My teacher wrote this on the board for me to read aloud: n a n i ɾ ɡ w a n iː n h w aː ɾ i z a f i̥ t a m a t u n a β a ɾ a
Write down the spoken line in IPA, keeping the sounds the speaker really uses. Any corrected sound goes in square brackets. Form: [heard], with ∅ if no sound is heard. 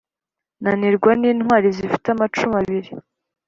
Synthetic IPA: n a n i ɾ ɡ w a n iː n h w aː ɾ i z [i] f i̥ t a m a [t͡ʃ] u [m] a β [i] ɾ [i]